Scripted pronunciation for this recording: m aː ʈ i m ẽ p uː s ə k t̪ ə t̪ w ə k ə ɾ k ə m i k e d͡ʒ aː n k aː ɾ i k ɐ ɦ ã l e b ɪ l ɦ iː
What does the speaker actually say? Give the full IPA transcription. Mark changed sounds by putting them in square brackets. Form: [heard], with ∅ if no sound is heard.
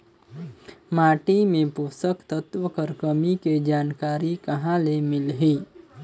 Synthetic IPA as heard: m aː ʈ i m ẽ p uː s ə k t̪ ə t̪ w ə k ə ɾ k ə m i k e d͡ʒ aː n k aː ɾ i k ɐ ɦ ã l e [m] ɪ l ɦ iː

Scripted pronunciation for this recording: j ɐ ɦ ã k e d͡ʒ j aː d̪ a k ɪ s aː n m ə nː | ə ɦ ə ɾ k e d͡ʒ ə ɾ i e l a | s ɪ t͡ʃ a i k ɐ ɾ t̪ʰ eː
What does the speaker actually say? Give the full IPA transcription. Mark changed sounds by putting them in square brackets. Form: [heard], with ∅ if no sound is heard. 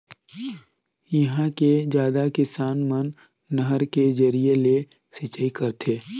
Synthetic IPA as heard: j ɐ ɦ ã k e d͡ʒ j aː d̪ a k ɪ s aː n m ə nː | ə ɦ ə ɾ k e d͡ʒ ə ɾ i e l [e] | s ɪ t͡ʃ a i k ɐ ɾ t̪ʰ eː

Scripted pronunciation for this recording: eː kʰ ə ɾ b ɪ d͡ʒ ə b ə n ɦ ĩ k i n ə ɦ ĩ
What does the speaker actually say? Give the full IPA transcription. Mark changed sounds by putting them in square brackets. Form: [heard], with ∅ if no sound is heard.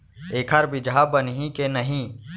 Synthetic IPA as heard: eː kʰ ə ɾ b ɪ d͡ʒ [a] b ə n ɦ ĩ k [e] n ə ɦ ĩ

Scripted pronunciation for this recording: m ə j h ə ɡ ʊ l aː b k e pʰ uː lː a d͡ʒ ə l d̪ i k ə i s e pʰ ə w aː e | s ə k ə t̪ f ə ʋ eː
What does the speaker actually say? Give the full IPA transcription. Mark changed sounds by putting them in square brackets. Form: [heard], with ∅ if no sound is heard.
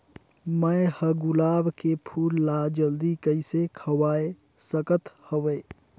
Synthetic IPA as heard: m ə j h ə ɡ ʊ l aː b k e pʰ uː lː a d͡ʒ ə l d̪ i k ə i s e [kʰ] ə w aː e | s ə k ə t̪ [h] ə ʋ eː

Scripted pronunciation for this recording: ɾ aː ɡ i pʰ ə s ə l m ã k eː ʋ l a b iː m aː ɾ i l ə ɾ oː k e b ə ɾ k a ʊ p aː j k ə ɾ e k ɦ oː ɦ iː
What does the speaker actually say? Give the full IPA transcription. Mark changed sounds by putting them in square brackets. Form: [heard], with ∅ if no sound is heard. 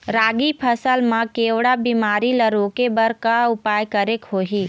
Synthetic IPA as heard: ɾ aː ɡ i pʰ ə s ə l m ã k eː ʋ [ɽ] a b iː m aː ɾ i l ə ɾ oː k e b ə ɾ k a ʊ p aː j k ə ɾ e k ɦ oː ɦ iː

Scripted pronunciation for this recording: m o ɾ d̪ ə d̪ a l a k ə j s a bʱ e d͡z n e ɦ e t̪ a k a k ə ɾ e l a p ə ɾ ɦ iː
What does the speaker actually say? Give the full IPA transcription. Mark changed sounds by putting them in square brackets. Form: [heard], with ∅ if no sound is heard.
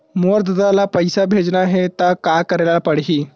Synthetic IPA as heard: m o ɾ d̪ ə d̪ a l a [p] ə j s a bʱ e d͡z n [a] ɦ e t̪ a k a k ə ɾ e l a p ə [ɽ] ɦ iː

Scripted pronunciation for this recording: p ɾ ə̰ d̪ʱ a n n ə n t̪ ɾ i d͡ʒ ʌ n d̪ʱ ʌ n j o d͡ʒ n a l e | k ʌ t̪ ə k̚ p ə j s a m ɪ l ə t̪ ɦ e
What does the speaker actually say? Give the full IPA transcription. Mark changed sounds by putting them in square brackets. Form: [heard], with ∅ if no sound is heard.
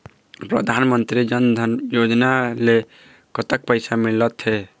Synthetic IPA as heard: p ɾ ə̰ d̪ʱ a n [m] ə n t̪ ɾ i d͡ʒ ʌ n d̪ʱ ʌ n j o d͡ʒ n a l e | k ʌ t̪ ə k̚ p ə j s a m [i] l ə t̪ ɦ e

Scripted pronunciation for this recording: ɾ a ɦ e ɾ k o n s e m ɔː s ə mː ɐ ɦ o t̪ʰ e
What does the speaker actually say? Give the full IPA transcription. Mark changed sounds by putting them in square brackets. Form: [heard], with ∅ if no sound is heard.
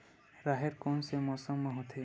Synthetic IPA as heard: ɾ a ɦ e ɾ k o n s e m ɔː s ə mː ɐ ɦ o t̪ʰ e

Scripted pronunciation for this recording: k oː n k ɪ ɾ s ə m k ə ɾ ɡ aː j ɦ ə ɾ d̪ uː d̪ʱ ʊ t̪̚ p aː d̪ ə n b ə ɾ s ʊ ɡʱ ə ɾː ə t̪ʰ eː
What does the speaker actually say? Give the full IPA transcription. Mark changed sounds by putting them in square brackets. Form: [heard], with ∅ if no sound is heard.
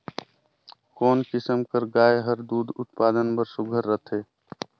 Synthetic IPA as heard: k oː n k ɪ [∅] s ə m k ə ɾ ɡ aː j ɦ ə ɾ d̪ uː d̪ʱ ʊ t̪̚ p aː d̪ ə n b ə ɾ s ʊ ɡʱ ə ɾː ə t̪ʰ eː

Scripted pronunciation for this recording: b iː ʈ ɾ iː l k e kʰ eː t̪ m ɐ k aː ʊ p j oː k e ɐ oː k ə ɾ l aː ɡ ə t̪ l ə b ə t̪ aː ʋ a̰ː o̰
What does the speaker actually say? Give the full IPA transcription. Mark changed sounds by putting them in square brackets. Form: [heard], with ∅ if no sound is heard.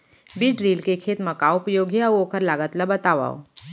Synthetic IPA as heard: b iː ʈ ɾ iː l k e kʰ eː t̪ m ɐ k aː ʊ p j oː [ɡ] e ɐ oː k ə ɾ l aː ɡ ə t̪ l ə b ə t̪ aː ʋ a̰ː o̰

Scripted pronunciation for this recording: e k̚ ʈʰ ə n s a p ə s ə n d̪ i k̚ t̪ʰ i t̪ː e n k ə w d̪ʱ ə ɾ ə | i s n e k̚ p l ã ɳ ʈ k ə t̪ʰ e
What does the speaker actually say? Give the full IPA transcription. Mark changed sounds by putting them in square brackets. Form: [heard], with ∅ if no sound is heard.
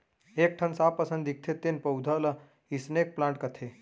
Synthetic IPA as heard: e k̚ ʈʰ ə n s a p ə s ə n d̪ i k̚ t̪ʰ [e] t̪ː e n [p] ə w d̪ʱ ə [l] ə | i s n e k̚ p l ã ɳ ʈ k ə t̪ʰ e

